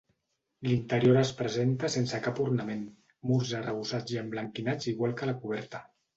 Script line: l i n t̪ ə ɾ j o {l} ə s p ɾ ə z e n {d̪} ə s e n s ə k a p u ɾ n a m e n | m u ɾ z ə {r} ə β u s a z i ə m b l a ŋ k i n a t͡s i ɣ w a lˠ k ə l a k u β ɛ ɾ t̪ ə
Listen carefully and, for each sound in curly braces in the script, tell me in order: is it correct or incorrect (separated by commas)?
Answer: incorrect, incorrect, correct